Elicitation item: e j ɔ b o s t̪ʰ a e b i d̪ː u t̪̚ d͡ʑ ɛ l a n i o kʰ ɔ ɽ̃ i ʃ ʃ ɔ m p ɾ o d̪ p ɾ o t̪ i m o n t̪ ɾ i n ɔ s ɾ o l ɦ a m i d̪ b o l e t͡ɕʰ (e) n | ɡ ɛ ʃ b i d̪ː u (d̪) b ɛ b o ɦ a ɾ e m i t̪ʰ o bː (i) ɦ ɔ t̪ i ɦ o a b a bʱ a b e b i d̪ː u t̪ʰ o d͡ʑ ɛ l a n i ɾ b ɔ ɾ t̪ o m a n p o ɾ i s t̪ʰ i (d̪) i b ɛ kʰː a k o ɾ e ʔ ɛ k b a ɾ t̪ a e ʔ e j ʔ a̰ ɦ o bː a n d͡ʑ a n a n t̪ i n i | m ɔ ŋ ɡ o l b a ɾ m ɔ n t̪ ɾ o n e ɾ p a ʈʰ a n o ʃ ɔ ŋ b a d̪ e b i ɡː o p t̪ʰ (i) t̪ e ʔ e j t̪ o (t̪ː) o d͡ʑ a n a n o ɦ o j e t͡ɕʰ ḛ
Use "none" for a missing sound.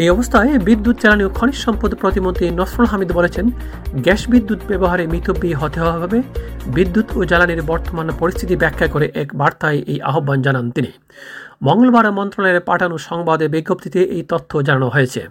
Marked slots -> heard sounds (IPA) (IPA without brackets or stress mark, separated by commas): e, t̪, i, t̪, i, t̪ʰː